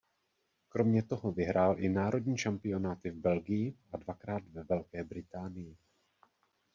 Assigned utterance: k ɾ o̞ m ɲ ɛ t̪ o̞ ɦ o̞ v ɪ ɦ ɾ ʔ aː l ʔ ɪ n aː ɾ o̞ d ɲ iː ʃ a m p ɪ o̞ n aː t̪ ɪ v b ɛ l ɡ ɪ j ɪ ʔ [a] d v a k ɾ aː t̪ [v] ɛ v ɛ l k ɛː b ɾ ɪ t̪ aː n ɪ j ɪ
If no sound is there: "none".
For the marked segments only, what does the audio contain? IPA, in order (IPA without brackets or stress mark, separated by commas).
a, v